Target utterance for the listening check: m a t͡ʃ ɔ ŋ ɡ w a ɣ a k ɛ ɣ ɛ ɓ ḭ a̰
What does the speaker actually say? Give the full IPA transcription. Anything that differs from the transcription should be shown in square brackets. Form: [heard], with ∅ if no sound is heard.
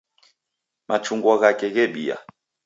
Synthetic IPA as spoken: m a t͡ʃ [u] ŋ ɡ w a ɣ a k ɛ ɣ ɛ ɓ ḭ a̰

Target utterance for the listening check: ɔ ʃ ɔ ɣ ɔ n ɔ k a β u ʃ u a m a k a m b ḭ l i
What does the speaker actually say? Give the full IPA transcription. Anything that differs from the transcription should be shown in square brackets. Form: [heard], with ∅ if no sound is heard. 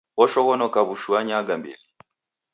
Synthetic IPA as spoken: ɔ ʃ ɔ ɣ ɔ n ɔ k a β u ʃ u a [ɲ] a [ɡ] a m b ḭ l i

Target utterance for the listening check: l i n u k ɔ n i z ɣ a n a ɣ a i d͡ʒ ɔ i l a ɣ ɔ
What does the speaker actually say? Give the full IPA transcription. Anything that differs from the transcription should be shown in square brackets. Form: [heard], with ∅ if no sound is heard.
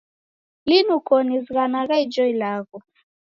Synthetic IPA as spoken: l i n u k ɔ n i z ɣ a n a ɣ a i d͡ʒ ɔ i l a ɣ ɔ

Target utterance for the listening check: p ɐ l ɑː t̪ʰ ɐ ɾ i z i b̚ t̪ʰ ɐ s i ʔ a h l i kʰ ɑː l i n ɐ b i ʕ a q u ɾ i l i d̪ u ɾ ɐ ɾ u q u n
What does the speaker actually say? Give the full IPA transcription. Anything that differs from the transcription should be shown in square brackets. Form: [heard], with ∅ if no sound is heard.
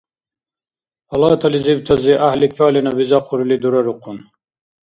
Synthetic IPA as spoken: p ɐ l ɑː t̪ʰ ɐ [l] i z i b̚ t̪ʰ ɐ [z] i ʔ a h l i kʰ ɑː l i n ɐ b i [z] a q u ɾ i l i d̪ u ɾ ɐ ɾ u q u n

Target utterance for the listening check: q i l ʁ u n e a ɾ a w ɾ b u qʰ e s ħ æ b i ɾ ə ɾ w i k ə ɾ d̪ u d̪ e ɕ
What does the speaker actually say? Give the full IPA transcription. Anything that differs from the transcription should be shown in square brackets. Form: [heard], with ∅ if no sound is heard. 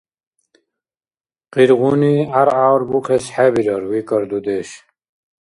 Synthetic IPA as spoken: q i [ɾ] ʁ u n [i] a ɾ a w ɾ b u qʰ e s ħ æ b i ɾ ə ɾ w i k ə ɾ d̪ u d̪ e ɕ

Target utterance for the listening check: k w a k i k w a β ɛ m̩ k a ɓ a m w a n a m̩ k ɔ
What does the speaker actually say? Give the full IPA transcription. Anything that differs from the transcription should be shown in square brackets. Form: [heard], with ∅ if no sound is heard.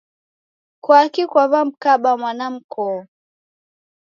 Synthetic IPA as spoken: k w a k i k w a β [a] m̩ k a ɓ a m w a n a m̩ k ɔ

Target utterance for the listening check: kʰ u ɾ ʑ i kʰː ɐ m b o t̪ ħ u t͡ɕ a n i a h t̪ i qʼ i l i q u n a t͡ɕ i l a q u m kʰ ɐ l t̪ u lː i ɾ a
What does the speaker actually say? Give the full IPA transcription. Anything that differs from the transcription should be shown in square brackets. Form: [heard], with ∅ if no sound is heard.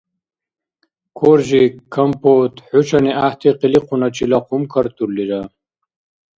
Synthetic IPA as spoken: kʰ [o] ɾ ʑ i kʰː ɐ m [p] o t̪ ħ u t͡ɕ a n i a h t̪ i [q] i l i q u n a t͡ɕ i l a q u m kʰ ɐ [ɾ] t̪ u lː i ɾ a

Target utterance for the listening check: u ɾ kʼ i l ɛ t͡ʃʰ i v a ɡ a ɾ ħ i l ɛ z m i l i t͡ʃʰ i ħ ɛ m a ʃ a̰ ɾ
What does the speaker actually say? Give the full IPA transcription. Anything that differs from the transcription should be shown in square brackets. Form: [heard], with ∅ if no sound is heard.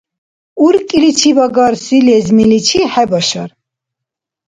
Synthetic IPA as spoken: u ɾ kʼ i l [i] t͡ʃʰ i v a ɡ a ɾ [s] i l ɛ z m i l i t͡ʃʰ i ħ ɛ [b] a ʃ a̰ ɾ

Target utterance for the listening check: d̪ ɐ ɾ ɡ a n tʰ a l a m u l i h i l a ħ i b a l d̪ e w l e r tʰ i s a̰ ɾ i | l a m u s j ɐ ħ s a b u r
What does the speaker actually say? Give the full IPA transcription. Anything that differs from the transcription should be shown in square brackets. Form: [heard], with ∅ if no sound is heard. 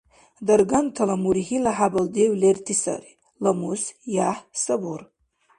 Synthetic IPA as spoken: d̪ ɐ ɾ ɡ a n tʰ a l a m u [ɾ] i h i l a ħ [a] b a l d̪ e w l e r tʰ i s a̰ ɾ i | l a m u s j [a] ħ s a b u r

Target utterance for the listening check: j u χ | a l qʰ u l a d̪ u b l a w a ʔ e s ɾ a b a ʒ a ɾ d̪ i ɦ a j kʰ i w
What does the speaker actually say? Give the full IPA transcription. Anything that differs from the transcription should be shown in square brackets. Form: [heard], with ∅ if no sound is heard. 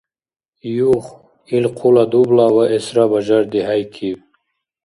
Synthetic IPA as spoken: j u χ | [i] l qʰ u l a d̪ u b l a w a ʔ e s ɾ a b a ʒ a ɾ d̪ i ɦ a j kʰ i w

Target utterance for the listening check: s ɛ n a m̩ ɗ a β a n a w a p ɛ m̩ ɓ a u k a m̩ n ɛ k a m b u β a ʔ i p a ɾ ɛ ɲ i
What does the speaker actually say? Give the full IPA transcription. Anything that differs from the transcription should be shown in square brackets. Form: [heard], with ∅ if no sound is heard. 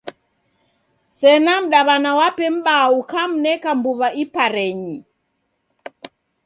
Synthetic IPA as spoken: s ɛ n a m̩ ɗ a β a n a w a p ɛ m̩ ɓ a u k a m̩ n ɛ k a m b u β a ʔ i p a ɾ ɛ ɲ i

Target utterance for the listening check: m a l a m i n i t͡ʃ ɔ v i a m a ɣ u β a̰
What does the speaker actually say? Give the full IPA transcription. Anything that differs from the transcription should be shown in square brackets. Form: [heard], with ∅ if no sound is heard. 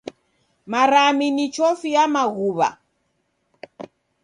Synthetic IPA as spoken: m a [ɾ] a m i n i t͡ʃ ɔ [f] i a m a ɣ u β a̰

